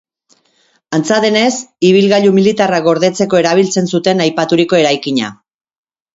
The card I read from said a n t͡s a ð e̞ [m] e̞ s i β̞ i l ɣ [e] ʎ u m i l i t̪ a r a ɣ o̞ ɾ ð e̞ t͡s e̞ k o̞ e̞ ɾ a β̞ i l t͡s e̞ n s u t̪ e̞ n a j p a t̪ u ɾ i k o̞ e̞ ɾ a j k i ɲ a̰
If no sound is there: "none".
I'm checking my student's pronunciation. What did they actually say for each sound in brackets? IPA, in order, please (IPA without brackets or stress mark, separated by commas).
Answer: n, a